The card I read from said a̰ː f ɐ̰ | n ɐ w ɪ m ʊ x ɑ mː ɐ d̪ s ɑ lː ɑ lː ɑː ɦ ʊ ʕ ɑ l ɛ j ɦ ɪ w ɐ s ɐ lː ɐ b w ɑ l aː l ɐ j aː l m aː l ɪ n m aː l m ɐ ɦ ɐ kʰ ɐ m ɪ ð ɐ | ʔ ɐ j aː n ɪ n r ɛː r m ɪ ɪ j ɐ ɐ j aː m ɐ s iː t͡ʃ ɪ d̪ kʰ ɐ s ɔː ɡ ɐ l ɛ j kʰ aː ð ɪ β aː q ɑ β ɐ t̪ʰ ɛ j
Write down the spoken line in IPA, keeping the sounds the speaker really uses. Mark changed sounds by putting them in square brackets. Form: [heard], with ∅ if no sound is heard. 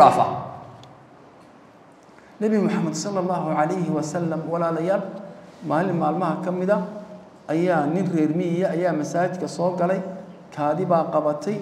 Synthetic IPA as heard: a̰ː f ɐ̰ | n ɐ [β] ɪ m ʊ [ħ] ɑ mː ɐ d̪ s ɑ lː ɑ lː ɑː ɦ ʊ ʕ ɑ l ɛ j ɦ ɪ w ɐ s ɐ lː ɐ [m] w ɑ l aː l ɐ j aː l m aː l ɪ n m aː l m ɐ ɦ ɐ kʰ ɐ m ɪ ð ɐ | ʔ ɐ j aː n ɪ n r ɛː r m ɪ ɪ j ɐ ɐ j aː m ɐ s [aː] t͡ʃ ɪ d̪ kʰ ɐ s ɔː ɡ ɐ l ɛ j kʰ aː ð ɪ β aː q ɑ β ɐ t̪ʰ ɛ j

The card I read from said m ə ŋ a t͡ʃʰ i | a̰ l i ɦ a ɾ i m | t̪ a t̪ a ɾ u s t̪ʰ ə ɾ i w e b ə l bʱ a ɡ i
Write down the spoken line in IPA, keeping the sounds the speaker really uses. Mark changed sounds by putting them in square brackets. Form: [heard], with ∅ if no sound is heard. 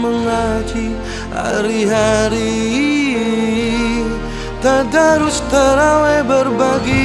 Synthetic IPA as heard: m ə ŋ a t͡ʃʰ i | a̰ [ɾ] i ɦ a ɾ i [∅] | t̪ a [d̪] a ɾ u s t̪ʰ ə ɾ [a] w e b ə [ɾ] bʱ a ɡ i

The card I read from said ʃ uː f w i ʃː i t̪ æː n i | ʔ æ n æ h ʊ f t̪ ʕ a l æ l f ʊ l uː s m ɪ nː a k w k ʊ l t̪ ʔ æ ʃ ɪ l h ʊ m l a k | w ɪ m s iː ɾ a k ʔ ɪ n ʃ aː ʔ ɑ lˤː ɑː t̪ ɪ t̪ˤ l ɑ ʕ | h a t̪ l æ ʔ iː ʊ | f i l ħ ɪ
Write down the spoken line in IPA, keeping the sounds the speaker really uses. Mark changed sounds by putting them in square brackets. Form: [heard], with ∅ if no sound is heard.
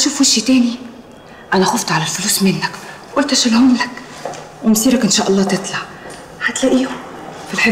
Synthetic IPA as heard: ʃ uː f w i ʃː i t̪ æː n i | ʔ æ n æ [x] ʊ f t̪ ʕ a l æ l f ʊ l uː s m ɪ nː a k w [ʔ] ʊ l t̪ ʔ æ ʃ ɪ l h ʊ m l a k | w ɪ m s iː ɾ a k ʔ ɪ n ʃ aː ʔ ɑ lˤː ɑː t̪ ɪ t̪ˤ l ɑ ʕ | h a t̪ l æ ʔ iː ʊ | f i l ħ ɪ

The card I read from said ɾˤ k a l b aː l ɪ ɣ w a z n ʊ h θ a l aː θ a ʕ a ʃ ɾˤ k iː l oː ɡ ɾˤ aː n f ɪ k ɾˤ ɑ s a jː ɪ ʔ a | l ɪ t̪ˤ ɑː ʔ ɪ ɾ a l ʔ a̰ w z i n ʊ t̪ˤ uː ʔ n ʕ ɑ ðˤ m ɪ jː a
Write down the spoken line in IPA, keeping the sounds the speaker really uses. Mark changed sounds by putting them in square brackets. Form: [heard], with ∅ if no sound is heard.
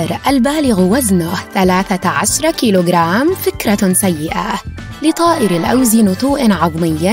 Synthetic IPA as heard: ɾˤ [ʔ] a l b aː l ɪ ɣ w a z n ʊ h θ a l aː θ a ʕ a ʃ ɾˤ k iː l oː ɡ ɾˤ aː [m] f ɪ k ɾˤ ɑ s a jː ɪ ʔ a | l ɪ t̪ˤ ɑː ʔ ɪ ɾ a l ʔ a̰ w z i n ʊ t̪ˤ uː ʔ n ʕ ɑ ðˤ m ɪ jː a

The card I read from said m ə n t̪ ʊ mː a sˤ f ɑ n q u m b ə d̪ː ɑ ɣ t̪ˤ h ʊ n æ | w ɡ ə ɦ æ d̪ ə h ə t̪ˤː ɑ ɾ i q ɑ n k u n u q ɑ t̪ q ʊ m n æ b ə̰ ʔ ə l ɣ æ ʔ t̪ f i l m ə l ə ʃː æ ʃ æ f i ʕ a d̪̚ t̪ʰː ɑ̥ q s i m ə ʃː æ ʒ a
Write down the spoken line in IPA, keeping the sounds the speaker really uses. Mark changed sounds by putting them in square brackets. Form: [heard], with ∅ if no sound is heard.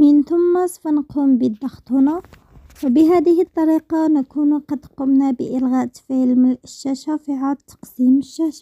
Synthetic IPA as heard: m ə n t̪ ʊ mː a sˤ f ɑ n q u m b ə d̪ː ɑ [x] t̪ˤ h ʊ n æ | w [b] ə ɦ æ d̪ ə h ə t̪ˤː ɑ ɾ i q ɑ n k u n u q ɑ [d̪] q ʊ m n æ b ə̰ ʔ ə l ɣ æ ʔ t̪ f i l m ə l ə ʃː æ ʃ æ f i ʕ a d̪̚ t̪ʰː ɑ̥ q s i m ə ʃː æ [ʃ] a

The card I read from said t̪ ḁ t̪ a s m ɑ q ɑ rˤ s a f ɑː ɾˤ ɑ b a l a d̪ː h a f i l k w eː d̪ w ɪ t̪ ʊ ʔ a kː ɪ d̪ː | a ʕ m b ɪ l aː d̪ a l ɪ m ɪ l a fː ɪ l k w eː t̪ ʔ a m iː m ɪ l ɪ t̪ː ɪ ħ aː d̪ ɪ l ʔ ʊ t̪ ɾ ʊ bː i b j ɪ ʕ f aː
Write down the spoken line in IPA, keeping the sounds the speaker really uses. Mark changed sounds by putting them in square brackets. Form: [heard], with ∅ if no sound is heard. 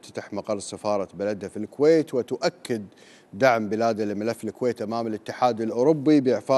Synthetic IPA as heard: t̪ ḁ t̪ a [ħ] m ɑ q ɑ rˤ s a f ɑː ɾˤ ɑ b a l a [d̪] h a f i l k w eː [t̪] w ɪ t̪ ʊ ʔ a kː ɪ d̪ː | a ʕ m b ɪ l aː d̪ a l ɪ m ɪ l a fː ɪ l k w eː t̪ ʔ a m [aː] m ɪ l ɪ t̪ː ɪ ħ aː d̪ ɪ l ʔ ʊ [∅] ɾ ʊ bː i b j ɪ ʕ f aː

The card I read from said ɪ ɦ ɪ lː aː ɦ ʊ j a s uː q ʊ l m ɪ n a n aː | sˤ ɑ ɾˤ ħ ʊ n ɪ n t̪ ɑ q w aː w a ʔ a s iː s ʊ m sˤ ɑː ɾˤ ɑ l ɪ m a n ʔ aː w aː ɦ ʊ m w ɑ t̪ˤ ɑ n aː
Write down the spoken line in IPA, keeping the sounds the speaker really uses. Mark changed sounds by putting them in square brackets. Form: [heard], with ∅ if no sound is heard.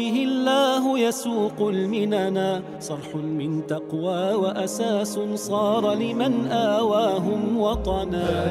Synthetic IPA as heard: ɪ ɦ ɪ lː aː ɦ ʊ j a s uː q ʊ l m ɪ n a n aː | sˤ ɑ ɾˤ ħ ʊ [m] ɪ n t̪ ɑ q w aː w a ʔ a s [aː] s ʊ [n] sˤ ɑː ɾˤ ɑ l ɪ m a n ʔ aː w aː ɦ ʊ m w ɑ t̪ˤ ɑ n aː

